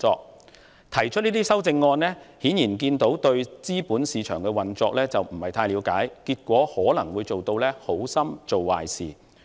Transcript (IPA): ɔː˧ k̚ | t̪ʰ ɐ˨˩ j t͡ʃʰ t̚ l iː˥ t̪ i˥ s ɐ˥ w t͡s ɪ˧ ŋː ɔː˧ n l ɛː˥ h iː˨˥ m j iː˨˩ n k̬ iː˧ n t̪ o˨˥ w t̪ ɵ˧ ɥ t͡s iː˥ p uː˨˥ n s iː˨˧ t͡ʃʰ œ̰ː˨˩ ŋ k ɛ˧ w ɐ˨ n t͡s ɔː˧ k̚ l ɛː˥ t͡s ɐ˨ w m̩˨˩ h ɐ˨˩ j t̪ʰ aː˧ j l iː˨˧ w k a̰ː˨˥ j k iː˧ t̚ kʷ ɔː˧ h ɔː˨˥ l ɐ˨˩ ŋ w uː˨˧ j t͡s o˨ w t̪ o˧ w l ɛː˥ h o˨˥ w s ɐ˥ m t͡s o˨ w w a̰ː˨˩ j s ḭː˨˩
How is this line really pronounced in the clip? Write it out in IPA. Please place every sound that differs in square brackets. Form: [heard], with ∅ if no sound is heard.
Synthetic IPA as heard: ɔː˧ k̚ | t̪ʰ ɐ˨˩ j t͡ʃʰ t̚ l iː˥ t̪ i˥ s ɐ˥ w t͡s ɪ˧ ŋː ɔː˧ n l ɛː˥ h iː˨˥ [n] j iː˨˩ n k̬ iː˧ n t̪ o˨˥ w t̪ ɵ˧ ɥ t͡s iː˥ p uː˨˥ n s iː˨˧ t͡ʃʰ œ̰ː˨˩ ŋ k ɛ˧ w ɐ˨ n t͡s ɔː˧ k̚ l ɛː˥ t͡s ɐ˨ w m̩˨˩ h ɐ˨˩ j t̪ʰ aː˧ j l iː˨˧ w k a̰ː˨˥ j k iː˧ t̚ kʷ [ɔː˨˥] h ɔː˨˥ l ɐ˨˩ ŋ w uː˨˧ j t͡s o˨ w t̪ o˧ w l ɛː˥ h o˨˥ w s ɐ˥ m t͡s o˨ w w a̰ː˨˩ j s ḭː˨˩